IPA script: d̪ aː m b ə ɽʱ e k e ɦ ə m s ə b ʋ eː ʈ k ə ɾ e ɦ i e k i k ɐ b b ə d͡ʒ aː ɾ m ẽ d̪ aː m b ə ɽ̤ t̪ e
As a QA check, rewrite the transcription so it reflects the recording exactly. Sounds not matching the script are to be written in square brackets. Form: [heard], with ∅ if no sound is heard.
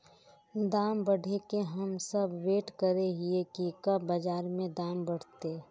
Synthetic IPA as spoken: d̪ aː m b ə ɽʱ e k e ɦ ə m s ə b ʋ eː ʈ k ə ɾ e ɦ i e k i k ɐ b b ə d͡ʒ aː ɾ m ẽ d̪ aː m b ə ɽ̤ t̪ e